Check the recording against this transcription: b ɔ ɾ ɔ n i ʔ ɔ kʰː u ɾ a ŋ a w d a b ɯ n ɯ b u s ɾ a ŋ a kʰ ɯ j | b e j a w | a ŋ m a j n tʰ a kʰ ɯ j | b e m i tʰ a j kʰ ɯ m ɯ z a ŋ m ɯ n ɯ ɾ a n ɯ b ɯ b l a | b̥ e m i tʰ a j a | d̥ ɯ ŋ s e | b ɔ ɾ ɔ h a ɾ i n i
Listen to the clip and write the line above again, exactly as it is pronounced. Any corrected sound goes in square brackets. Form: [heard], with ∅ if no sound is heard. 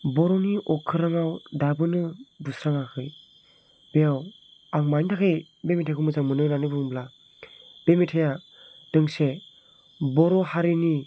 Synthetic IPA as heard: b ɔ ɾ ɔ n i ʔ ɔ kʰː [ɯ] ɾ a ŋ a w d a b ɯ n ɯ b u s ɾ a ŋ a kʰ ɯ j | b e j a w | a ŋ m a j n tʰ a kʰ ɯ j | b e m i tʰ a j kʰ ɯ m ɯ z a ŋ m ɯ n ɯ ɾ a n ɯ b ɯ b l a | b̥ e m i tʰ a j a | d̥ ɯ ŋ s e | b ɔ ɾ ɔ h a ɾ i n i

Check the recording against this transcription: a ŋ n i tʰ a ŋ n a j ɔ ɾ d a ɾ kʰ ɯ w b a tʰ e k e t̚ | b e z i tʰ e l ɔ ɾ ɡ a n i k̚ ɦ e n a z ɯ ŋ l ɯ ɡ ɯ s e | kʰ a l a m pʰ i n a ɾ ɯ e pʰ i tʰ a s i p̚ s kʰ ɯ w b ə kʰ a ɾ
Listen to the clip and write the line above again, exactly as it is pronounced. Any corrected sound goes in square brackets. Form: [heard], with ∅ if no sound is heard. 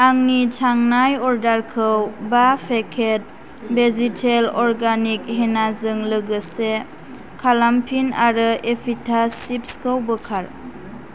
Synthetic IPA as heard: a ŋ n i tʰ a ŋ n a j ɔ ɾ d a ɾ kʰ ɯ w b a [pʰ] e [kʰ] e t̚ | b e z i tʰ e l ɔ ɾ ɡ a n i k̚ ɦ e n a z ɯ ŋ l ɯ ɡ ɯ s e | kʰ a l a m pʰ i n a ɾ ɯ e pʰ i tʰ a s i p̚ s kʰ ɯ w b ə kʰ a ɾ

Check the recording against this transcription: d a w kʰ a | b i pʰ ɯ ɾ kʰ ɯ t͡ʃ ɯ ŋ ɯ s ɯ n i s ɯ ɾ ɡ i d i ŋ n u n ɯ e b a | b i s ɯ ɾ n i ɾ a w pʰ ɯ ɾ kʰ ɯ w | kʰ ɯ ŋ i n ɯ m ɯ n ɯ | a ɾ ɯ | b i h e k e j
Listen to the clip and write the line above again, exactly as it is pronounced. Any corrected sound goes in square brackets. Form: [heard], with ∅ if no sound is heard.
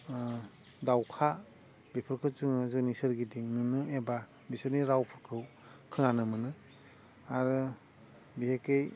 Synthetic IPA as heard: d a w kʰ a | b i pʰ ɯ ɾ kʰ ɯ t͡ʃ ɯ ŋ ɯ [z] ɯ n i s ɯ ɾ ɡ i d i ŋ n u n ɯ e b a | b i s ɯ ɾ n i ɾ a w pʰ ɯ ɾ kʰ ɯ w | kʰ ɯ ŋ [a] n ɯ m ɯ n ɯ | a ɾ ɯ | b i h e k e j

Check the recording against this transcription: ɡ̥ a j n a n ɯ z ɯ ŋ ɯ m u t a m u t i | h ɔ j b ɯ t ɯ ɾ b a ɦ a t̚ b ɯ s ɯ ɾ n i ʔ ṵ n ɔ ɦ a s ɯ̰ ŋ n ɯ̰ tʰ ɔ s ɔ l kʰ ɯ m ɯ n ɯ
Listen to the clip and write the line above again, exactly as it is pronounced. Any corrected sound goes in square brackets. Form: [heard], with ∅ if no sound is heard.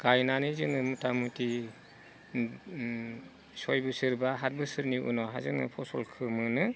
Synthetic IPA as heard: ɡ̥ a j n a n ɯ z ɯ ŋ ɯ m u t a m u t i | [s] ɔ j b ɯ [s] ɯ ɾ b a ɦ a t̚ b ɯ s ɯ ɾ n i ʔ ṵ n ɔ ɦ a [z] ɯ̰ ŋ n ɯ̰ [pʰ] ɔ s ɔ l kʰ ɯ m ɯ n ɯ

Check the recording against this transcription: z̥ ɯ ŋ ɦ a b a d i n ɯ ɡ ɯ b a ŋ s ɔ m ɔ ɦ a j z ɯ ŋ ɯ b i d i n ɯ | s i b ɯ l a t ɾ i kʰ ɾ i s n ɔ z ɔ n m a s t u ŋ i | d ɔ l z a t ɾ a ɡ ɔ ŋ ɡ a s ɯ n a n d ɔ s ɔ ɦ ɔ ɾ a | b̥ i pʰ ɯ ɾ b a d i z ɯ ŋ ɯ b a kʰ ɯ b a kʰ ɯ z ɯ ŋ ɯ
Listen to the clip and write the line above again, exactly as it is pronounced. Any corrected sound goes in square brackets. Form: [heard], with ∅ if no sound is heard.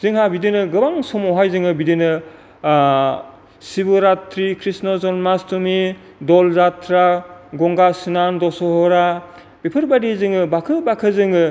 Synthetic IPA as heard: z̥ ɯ ŋ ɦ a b [i] d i n ɯ ɡ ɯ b a ŋ s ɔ m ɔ ɦ a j z ɯ ŋ ɯ b i d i n ɯ | s i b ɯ [ɾ] a t ɾ i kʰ ɾ i s n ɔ z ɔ n m a s t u [m] i | d ɔ l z a t ɾ a ɡ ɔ ŋ ɡ a s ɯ n a n d ɔ s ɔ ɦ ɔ ɾ a | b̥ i pʰ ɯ ɾ b a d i z ɯ ŋ ɯ b a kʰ ɯ b a kʰ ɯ z ɯ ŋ ɯ

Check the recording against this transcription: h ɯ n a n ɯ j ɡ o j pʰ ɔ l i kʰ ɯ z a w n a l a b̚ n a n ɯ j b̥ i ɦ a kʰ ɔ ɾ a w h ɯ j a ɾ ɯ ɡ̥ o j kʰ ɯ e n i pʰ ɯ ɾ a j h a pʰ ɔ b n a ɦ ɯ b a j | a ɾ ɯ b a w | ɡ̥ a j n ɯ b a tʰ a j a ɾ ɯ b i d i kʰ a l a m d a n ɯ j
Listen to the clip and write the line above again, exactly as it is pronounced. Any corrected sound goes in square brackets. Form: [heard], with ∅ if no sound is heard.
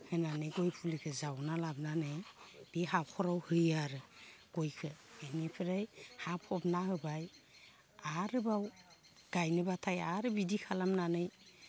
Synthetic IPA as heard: h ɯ n a n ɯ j ɡ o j pʰ [u] l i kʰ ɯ z a w n a l a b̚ n a n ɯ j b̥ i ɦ a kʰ ɔ ɾ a w h ɯ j a ɾ ɯ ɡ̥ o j kʰ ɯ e n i pʰ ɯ ɾ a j h a pʰ ɔ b n a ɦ ɯ b a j | a ɾ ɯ b a w | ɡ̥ a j n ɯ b a tʰ a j a ɾ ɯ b i d i kʰ a l a m [n] a n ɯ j

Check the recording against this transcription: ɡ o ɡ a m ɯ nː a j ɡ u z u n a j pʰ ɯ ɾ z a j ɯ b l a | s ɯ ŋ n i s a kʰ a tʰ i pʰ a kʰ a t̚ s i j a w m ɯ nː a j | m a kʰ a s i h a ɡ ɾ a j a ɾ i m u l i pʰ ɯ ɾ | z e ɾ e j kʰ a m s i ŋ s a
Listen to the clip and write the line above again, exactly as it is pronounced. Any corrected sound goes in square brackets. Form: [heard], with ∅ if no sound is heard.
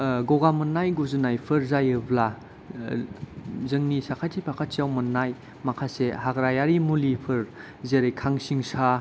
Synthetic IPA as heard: ɡ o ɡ a m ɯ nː a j ɡ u z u n a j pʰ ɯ ɾ z a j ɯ b l a | [z] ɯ ŋ n i s a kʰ a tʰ i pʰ a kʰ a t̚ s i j a w m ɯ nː a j | m a kʰ a s [e] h a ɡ ɾ a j a ɾ i m u l i pʰ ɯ ɾ | z e ɾ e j kʰ a [ŋ] s i ŋ s a

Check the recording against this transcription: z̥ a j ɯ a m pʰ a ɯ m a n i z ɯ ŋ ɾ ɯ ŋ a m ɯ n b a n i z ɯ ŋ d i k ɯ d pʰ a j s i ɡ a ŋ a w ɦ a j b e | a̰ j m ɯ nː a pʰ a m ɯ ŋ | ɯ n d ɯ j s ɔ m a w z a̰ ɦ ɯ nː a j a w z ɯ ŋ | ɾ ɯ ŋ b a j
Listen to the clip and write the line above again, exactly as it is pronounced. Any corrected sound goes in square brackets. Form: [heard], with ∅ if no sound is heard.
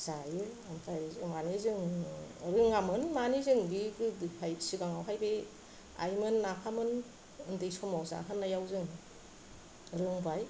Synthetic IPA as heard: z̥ a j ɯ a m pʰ a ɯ m a n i z ɯ ŋ ɾ ɯ ŋ a m ɯ n [m] a n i z ɯ ŋ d i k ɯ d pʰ a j s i ɡ a ŋ a w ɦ a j b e | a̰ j m ɯ nː a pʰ a m ɯ [n] | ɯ n d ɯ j s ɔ m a w z a̰ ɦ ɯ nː a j a w z ɯ ŋ | ɾ ɯ ŋ b a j

